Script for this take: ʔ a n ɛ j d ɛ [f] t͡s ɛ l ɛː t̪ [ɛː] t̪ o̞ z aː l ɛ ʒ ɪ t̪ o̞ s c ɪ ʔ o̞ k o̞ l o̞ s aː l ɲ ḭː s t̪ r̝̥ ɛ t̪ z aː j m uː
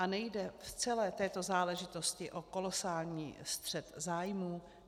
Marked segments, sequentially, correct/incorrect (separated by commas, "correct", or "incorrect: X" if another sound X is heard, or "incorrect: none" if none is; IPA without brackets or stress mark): correct, correct